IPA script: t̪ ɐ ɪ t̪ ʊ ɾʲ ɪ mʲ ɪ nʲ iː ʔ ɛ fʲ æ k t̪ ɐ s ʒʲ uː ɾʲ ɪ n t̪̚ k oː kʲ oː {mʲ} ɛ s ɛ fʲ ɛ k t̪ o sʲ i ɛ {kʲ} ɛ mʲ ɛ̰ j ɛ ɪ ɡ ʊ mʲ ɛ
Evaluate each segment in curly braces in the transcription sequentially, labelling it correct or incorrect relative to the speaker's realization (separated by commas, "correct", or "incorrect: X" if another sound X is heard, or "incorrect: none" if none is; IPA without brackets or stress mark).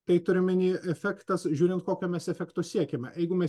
correct, correct